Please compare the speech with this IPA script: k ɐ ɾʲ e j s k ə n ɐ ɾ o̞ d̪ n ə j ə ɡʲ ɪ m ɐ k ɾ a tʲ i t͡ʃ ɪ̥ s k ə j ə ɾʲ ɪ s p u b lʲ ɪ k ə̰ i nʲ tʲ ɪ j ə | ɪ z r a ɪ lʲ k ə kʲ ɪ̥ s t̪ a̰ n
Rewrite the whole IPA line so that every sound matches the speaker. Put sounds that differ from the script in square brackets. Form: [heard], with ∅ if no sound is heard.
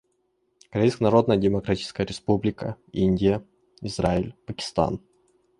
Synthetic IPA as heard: k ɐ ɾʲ e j s k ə n ɐ ɾ o̞ d̪ n ə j ə [dʲ] ɪ m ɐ k ɾ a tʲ i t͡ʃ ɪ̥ s k ə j ə ɾʲ ɪ s p u b lʲ ɪ k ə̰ i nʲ [dʲ] ɪ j ə | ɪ z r a ɪ lʲ [p] ə kʲ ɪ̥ s t̪ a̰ n